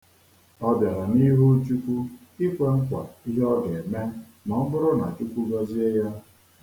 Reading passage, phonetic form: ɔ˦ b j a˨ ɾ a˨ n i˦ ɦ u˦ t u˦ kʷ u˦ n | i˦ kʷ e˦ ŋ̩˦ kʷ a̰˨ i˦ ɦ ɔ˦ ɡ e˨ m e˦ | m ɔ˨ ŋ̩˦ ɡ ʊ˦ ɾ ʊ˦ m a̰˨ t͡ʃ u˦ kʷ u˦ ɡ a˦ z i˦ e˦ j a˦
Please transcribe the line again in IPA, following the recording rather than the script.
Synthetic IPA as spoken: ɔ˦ b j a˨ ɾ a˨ n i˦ ɦ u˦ t͡ʃ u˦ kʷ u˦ | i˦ kʷ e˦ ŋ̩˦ kʷ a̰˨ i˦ ɦ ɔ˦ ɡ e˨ m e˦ | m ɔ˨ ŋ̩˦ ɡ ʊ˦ ɾ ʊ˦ n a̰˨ t͡ʃ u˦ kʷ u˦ ɡ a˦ z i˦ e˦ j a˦